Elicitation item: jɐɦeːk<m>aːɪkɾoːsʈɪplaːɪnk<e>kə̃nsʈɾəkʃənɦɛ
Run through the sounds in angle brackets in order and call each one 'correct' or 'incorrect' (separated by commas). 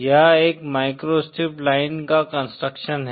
correct, incorrect